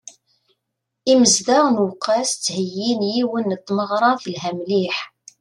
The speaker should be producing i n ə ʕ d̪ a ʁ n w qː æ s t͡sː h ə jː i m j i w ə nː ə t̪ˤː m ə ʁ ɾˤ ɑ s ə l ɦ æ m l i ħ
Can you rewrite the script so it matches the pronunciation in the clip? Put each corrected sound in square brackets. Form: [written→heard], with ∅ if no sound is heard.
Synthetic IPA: i [n→m] ə [ʕ→z] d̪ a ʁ n w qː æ s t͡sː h ə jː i [m→n] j i w ə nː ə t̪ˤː m ə ʁ ɾˤ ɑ [s→θ] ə l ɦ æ m l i ħ